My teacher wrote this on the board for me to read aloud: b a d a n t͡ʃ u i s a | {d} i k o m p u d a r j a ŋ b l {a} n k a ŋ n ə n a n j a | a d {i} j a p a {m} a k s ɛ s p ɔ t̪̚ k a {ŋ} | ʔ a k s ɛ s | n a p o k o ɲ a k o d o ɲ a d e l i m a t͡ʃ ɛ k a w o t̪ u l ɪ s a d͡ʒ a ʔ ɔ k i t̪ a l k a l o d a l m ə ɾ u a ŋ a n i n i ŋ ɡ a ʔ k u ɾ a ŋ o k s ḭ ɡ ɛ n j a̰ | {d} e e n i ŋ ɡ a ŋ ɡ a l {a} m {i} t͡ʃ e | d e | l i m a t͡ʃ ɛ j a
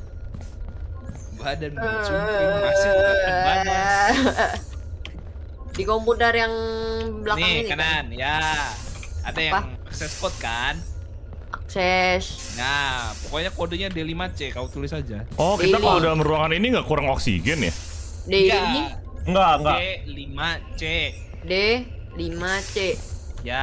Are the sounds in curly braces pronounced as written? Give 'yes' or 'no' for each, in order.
yes, yes, no, no, no, yes, no, no

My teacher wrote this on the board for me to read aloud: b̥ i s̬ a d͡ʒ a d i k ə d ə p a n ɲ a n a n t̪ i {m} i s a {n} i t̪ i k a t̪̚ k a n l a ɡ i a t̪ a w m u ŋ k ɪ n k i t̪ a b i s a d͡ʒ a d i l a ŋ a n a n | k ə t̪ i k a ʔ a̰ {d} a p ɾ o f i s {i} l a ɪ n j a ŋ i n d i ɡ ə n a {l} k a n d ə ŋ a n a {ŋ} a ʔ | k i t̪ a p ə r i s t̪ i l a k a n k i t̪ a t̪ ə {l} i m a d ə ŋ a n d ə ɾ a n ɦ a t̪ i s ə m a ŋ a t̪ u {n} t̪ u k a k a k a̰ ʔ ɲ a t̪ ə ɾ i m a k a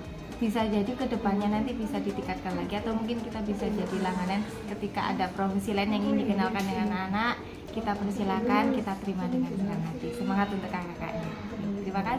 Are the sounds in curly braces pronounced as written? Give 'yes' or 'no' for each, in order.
no, no, yes, yes, yes, no, no, yes

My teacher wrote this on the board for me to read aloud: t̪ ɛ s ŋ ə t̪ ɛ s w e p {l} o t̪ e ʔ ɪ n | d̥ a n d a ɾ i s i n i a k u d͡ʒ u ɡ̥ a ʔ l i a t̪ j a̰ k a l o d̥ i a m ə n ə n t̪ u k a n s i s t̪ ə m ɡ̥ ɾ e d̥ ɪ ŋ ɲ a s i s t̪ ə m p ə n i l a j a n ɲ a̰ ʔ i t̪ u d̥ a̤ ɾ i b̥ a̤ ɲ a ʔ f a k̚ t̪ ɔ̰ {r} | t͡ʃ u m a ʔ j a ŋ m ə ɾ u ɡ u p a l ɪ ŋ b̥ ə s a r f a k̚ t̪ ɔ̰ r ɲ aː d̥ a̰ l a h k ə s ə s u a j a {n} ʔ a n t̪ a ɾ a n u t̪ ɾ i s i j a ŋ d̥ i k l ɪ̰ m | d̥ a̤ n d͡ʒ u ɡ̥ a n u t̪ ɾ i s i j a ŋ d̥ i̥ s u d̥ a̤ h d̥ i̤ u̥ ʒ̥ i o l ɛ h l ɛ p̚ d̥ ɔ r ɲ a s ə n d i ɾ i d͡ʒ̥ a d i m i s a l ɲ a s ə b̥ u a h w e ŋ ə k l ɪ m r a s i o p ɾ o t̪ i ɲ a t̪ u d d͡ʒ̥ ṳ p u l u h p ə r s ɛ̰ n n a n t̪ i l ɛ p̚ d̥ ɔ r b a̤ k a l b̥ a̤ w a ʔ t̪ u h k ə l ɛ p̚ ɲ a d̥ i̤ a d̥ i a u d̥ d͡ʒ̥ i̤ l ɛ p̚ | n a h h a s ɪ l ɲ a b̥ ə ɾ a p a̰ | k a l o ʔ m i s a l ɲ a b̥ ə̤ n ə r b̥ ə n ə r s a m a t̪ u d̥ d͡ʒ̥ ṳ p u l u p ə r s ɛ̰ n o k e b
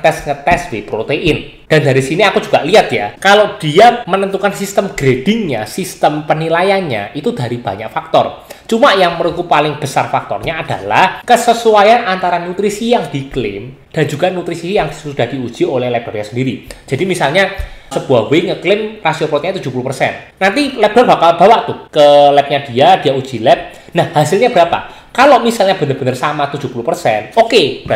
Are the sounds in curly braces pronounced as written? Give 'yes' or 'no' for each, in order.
no, yes, yes

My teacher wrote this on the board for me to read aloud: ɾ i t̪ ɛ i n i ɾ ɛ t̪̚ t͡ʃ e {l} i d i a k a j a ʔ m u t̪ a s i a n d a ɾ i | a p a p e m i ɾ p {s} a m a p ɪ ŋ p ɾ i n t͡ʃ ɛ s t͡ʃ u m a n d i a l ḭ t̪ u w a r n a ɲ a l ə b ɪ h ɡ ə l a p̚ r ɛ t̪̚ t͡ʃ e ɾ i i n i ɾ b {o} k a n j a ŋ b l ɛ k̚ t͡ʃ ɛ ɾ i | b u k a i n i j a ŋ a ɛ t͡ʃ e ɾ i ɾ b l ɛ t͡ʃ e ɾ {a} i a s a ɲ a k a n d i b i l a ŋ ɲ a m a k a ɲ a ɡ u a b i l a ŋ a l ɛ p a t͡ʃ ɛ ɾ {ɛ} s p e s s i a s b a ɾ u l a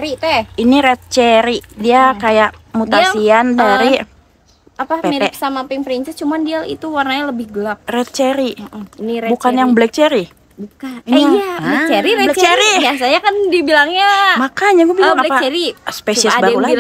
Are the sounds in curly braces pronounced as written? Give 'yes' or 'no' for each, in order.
no, yes, no, no, no

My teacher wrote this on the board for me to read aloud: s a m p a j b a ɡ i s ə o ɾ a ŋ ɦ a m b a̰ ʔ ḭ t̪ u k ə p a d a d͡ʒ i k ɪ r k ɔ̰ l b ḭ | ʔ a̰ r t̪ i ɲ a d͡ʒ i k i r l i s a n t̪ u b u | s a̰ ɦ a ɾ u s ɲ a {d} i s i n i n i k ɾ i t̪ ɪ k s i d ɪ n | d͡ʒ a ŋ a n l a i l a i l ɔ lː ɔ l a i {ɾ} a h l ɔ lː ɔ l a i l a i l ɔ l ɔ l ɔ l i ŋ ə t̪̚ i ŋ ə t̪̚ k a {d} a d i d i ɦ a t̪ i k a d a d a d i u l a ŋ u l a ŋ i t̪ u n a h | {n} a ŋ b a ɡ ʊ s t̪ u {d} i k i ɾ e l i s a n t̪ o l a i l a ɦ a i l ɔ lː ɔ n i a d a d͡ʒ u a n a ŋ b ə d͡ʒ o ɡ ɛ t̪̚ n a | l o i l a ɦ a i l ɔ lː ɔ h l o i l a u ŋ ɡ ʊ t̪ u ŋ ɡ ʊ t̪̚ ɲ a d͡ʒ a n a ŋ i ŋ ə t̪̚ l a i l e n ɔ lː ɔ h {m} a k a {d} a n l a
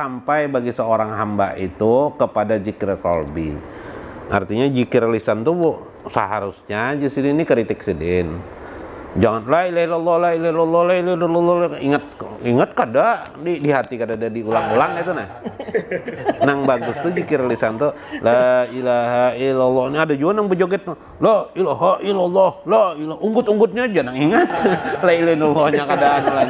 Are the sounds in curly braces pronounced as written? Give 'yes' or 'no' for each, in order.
no, no, yes, yes, no, no, yes

